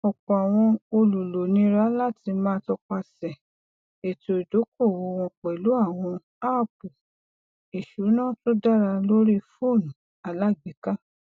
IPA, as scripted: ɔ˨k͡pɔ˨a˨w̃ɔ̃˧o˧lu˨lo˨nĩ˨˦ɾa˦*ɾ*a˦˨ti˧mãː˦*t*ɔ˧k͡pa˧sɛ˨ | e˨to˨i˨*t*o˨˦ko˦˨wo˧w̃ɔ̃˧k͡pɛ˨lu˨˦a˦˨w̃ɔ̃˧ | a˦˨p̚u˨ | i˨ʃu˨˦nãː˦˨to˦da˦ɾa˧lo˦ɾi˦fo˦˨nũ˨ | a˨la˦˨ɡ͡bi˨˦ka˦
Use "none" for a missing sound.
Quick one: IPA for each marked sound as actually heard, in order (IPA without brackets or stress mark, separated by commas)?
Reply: l, t, d